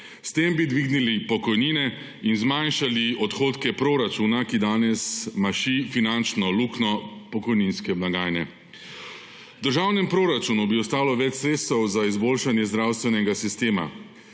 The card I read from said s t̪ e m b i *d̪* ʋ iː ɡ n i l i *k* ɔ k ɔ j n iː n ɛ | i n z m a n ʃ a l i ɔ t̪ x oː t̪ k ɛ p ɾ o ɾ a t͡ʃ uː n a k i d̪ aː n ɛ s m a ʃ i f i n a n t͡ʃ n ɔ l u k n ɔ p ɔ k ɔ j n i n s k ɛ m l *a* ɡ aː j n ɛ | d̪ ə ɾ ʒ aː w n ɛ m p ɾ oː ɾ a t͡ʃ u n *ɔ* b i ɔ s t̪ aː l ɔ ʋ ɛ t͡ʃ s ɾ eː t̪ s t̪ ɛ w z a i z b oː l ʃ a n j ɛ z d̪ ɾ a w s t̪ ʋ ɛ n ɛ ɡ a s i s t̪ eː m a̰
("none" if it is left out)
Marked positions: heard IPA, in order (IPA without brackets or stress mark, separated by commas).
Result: d̪, p, a, u